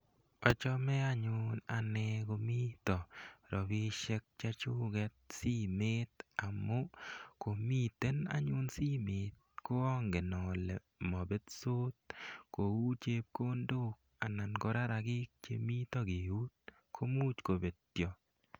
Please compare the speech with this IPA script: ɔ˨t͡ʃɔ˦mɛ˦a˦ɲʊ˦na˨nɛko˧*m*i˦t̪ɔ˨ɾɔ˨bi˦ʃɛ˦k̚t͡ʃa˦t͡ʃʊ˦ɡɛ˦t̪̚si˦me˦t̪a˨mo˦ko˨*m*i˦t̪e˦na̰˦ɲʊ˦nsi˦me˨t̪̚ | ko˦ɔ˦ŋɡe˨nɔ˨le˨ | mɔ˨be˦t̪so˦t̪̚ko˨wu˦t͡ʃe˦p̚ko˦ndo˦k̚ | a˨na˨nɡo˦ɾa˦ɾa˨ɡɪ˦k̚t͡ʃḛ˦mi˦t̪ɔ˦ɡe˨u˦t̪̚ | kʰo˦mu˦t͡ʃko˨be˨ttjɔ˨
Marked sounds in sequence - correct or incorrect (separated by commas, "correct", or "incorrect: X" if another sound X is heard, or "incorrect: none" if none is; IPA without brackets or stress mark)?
correct, correct